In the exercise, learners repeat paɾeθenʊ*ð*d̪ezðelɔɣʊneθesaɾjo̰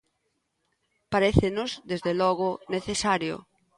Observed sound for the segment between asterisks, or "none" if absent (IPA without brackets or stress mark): z